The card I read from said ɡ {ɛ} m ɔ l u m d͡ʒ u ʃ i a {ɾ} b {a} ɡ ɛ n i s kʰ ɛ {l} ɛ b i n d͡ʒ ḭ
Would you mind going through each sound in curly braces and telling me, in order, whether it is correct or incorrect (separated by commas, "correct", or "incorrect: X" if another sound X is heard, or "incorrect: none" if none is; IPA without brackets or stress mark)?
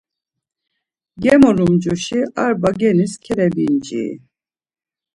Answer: correct, correct, correct, incorrect: ɾ